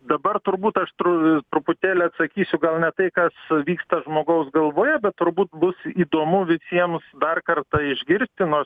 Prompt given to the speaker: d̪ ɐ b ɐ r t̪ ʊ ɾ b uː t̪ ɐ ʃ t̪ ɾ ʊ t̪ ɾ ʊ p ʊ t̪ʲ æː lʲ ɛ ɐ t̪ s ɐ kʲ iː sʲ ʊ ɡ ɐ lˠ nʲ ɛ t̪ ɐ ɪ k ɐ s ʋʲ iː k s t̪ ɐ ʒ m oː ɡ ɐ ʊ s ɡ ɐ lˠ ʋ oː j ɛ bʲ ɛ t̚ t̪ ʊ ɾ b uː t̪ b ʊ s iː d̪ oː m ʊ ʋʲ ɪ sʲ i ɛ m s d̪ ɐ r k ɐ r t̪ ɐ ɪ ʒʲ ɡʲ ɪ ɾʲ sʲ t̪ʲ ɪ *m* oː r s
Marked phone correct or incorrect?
incorrect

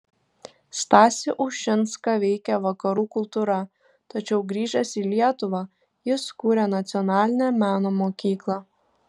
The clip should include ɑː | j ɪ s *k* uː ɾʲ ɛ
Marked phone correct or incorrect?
correct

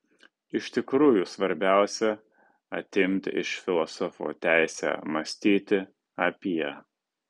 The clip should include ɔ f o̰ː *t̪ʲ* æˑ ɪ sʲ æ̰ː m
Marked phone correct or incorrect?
correct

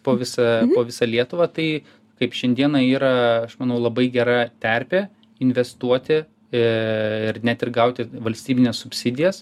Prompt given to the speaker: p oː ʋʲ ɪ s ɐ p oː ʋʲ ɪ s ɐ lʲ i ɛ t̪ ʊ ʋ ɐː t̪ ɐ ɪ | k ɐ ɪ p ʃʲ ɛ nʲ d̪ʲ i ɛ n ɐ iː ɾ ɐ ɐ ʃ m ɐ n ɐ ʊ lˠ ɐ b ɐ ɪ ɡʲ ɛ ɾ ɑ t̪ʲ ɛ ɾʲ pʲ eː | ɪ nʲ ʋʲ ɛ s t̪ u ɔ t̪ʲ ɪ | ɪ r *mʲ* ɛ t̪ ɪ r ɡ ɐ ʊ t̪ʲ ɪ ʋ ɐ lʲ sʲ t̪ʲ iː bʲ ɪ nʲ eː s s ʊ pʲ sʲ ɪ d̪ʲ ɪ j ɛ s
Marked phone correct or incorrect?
incorrect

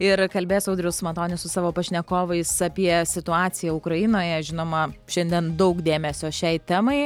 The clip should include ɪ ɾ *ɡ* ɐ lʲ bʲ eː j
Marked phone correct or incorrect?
incorrect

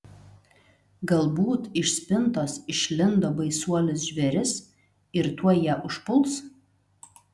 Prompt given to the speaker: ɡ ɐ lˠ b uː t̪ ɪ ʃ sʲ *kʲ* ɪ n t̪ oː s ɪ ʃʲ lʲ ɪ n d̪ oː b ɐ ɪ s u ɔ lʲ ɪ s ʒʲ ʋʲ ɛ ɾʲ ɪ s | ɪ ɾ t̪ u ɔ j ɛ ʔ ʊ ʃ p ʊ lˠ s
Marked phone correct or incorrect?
incorrect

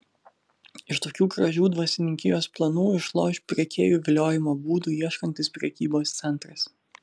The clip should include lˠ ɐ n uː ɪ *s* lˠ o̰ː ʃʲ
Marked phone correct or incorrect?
incorrect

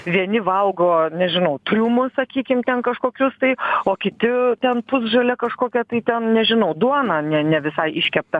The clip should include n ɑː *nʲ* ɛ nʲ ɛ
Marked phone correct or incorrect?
correct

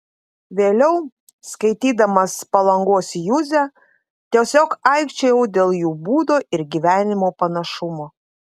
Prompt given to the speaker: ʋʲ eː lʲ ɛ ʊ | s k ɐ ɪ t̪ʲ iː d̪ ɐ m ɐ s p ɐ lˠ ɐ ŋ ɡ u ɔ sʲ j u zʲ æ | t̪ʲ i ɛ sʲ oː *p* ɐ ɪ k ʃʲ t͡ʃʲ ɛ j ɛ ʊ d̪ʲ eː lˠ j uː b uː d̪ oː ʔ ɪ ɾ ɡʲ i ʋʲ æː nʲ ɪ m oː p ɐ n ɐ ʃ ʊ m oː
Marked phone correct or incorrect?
incorrect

